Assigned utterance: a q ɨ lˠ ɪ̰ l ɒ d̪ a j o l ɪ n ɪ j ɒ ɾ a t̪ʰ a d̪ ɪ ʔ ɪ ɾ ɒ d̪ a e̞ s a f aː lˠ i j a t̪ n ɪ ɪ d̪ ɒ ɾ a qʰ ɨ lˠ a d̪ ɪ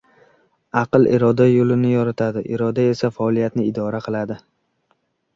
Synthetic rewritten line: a q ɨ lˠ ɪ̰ ɾ ɒ d̪ a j o l ɪ n ɪ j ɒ ɾ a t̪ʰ a d̪ ɪ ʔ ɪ ɾ ɒ d̪ a e̞ s a f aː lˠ i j a t̪ n ɪ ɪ d̪ ɒ ɾ a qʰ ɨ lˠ a d̪ ɪ